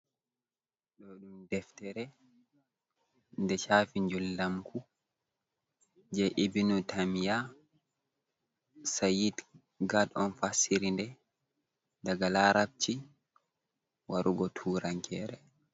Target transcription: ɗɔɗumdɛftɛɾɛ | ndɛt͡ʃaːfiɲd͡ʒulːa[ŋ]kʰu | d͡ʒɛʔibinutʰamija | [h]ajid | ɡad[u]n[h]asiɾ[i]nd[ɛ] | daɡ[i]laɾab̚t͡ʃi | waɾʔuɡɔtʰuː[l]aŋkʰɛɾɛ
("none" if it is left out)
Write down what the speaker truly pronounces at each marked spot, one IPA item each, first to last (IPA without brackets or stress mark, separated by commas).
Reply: m, s, ɔ, f, i, ɛ, a, ɾ